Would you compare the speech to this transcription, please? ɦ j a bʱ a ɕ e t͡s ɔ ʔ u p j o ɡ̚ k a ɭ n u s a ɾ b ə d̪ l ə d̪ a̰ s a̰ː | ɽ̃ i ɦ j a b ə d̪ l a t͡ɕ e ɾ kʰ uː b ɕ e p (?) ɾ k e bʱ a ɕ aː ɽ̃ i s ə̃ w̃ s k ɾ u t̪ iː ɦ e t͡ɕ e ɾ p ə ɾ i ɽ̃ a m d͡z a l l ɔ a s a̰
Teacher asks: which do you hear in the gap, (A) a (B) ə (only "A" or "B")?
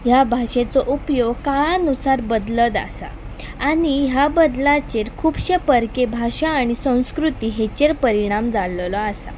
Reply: B